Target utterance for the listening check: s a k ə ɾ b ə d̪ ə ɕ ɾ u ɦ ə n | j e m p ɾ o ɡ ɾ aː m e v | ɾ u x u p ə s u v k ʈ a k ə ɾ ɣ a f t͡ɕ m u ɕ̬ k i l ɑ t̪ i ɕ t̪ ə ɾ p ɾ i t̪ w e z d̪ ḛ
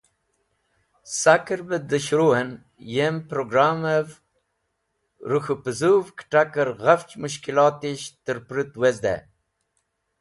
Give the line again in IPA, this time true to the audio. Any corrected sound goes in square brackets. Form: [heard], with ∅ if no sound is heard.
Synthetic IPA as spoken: s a k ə ɾ b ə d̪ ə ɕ ɾ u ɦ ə n | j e m p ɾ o ɡ ɾ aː m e v | ɾ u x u p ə [z] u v k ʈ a k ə ɾ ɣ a f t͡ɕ m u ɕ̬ k i l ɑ t̪ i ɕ t̪ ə ɾ p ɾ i t̪ w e z d̪ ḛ